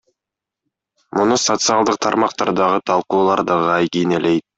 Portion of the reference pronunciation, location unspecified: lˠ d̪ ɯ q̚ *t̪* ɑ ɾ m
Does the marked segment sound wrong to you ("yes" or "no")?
yes